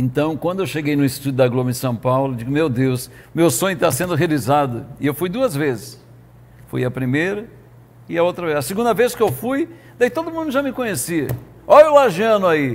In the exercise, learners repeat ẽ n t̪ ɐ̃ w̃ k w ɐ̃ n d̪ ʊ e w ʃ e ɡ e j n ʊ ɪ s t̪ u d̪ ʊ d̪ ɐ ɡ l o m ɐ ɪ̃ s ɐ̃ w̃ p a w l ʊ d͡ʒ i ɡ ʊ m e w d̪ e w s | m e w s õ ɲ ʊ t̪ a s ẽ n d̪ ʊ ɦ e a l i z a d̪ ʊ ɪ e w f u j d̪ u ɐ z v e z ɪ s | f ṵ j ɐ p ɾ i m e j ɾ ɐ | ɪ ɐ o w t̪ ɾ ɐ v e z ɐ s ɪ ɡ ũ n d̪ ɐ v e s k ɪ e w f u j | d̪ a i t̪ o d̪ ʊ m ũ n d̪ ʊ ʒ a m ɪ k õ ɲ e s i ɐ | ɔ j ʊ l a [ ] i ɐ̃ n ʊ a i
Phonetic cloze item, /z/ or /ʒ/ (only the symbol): ʒ